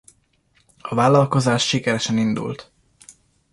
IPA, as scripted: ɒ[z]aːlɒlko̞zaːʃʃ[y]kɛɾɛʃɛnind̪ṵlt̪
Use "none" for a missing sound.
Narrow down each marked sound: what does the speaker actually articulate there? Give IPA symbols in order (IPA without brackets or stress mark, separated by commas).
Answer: v, i